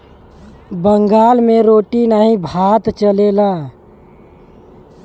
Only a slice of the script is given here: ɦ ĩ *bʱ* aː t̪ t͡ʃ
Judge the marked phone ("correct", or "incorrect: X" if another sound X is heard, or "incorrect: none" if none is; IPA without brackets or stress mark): correct